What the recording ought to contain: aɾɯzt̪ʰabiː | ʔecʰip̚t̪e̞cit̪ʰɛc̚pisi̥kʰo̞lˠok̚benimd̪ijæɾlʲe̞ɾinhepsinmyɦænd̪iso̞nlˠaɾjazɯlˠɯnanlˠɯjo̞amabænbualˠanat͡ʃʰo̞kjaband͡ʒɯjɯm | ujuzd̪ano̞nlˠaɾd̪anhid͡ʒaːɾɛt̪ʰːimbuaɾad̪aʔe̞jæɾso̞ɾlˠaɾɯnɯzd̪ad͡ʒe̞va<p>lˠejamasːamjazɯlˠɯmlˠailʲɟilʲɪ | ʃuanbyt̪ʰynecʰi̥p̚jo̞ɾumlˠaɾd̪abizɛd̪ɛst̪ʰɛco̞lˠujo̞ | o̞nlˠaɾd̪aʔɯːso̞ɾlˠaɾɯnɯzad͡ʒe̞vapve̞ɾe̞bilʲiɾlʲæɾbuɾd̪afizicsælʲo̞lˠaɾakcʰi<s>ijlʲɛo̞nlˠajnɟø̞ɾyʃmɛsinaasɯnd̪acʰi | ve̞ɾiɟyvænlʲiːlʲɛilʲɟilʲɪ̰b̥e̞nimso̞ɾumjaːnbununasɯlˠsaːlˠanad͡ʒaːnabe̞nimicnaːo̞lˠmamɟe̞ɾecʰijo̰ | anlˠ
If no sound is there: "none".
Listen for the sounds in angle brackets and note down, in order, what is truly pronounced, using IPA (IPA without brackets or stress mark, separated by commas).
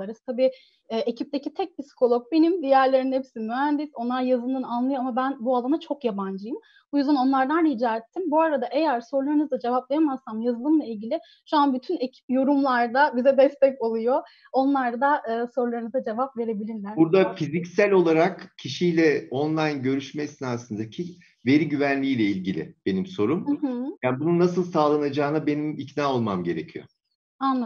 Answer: p, ʃ